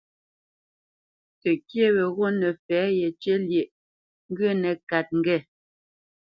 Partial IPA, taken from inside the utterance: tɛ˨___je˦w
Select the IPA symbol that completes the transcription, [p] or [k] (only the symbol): k